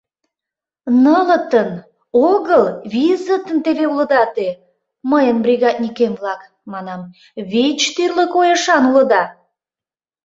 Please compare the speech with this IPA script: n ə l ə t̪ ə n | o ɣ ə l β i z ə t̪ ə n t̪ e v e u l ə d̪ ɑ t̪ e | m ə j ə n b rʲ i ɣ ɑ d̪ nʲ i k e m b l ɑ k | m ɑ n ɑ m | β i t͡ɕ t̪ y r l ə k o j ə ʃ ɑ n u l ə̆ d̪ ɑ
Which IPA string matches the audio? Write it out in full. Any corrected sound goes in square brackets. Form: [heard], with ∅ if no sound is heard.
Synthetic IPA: n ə l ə t̪ ə n | o ɣ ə l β i z ə t̪ ə n t̪ e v e u l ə d̪ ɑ t̪ e | m ə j ə n b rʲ i ɣ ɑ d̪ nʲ i k e m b l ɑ k | m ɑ n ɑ m | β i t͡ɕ t̪ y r l ə k o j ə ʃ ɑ n u l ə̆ d̪ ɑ